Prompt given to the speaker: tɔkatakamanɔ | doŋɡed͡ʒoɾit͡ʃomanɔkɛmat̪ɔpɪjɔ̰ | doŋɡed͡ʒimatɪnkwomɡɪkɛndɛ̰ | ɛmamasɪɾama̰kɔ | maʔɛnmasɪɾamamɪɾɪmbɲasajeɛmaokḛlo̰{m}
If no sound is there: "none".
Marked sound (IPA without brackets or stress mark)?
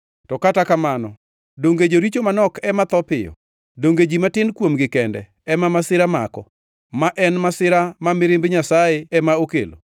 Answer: none